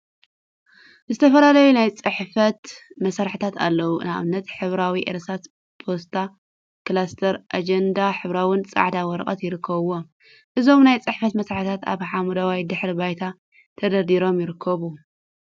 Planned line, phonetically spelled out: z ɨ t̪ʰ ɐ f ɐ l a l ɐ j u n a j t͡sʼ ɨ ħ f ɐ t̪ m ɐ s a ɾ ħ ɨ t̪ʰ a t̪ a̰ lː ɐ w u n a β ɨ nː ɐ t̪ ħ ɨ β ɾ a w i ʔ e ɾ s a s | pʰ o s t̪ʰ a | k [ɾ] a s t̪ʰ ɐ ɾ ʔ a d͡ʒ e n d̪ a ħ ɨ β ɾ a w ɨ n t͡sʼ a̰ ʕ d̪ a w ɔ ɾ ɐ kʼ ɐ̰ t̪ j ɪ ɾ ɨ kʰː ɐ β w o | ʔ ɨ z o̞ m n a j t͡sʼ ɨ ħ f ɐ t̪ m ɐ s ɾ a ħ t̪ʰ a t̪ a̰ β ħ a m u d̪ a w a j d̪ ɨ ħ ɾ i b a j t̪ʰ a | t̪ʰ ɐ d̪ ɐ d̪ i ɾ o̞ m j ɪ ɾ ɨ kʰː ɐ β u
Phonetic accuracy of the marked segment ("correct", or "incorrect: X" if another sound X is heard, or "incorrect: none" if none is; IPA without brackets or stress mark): incorrect: l